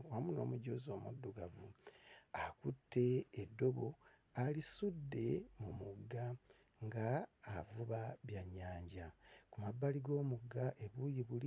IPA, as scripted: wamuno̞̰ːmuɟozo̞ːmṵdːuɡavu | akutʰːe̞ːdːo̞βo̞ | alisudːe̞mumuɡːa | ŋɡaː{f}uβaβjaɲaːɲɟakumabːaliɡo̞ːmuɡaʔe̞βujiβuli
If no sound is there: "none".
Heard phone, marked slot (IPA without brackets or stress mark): v